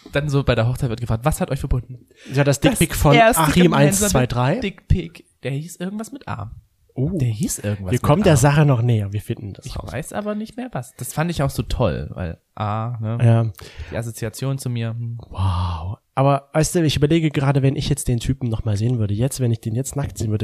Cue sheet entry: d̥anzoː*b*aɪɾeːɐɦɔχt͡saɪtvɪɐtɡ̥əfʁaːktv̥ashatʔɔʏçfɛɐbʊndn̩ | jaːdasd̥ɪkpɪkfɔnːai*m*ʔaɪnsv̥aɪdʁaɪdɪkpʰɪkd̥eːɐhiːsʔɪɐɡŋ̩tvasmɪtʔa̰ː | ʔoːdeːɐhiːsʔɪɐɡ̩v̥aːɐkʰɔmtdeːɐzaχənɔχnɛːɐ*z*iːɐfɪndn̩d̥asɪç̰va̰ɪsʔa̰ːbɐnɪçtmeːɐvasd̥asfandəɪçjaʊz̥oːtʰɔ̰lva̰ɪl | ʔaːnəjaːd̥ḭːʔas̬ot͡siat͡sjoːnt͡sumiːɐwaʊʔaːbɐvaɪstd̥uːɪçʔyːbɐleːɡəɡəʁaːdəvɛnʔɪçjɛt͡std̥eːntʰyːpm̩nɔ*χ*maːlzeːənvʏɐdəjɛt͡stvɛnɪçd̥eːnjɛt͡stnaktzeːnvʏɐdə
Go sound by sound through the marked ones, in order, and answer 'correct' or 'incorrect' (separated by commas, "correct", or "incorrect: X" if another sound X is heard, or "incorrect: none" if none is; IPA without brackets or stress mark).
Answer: correct, correct, incorrect: v, correct